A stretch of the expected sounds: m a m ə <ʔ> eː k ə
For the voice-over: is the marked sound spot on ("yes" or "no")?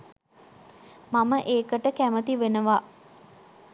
yes